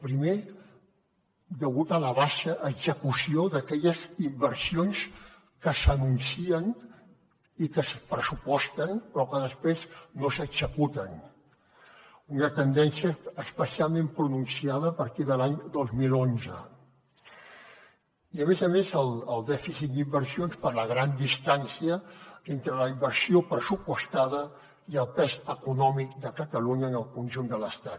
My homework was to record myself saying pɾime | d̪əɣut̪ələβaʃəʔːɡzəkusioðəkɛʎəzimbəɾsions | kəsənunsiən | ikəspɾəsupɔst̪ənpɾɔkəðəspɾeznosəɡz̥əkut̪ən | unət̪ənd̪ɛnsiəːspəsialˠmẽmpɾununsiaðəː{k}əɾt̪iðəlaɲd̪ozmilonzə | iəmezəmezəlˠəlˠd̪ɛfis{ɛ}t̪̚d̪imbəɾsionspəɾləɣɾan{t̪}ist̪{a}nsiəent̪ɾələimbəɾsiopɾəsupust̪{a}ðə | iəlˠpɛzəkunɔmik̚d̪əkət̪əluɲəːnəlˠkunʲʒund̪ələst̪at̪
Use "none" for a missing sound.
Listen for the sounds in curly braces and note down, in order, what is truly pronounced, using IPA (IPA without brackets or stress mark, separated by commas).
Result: p, i, d̪, a, a